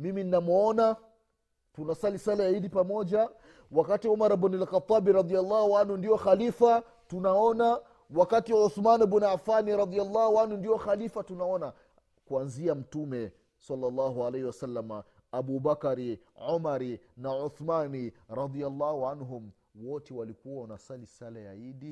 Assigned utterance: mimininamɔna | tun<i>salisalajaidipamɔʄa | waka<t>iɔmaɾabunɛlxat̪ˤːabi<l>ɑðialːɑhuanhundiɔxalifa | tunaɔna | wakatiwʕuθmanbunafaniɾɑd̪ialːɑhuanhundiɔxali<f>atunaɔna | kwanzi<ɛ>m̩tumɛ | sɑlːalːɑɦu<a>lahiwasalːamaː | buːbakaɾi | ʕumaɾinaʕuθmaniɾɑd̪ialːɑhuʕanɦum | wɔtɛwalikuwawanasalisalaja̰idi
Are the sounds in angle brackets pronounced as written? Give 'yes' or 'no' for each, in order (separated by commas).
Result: no, yes, no, yes, no, yes